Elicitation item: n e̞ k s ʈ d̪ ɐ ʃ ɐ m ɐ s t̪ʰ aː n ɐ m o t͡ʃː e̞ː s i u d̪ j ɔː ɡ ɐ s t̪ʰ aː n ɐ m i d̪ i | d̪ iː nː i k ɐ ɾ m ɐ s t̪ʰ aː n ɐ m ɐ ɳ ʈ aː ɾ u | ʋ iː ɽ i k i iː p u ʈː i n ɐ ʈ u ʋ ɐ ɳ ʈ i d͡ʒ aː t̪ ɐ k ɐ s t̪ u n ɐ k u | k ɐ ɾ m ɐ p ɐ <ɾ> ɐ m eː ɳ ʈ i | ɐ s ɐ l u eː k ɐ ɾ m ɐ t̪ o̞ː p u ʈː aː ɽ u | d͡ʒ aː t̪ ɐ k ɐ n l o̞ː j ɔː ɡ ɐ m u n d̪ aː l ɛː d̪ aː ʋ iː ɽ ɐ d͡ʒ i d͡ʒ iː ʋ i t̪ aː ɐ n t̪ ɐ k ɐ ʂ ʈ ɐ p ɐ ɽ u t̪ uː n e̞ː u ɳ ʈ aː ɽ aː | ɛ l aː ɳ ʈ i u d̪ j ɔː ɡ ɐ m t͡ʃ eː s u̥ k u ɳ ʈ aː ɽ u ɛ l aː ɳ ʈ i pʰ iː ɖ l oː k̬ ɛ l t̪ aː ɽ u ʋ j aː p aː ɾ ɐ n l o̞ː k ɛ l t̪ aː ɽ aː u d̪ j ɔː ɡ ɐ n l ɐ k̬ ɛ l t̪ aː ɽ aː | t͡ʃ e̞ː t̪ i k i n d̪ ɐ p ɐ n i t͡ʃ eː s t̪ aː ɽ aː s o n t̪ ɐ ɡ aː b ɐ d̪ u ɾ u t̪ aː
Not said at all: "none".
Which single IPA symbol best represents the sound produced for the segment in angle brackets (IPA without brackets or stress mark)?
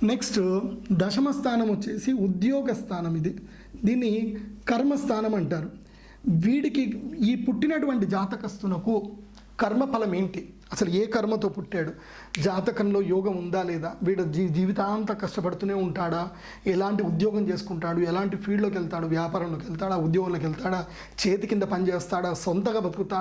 l